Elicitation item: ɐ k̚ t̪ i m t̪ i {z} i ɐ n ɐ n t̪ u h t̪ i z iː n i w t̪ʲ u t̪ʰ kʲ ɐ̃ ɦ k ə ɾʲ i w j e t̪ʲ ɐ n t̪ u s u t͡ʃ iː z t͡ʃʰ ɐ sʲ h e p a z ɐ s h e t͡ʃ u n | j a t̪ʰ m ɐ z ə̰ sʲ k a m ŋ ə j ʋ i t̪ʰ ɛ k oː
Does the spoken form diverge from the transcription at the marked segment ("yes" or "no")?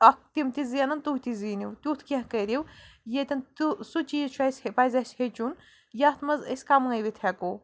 no